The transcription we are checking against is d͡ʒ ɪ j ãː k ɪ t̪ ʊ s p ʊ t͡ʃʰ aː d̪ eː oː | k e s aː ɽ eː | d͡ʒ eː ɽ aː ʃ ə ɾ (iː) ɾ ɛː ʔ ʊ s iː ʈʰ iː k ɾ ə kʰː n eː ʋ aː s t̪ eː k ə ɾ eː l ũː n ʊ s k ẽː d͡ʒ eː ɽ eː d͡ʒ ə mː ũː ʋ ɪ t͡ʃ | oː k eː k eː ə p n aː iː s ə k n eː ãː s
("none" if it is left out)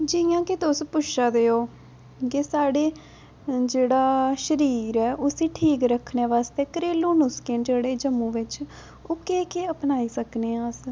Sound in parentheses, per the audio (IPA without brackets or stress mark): iː